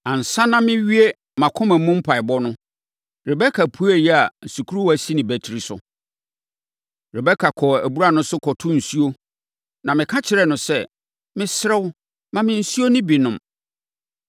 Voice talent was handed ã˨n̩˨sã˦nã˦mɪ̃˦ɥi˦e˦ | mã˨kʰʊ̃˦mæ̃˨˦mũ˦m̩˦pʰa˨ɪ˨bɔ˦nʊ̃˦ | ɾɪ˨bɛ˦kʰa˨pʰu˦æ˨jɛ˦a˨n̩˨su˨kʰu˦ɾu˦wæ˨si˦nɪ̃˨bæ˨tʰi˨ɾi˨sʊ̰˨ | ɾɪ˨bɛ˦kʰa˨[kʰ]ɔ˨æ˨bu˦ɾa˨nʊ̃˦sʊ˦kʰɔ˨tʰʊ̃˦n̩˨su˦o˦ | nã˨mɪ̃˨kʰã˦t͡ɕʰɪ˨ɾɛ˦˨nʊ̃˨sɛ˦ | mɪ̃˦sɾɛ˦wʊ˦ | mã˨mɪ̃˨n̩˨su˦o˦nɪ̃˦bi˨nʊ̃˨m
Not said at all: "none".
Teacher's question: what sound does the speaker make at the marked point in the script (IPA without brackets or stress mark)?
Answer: kʰ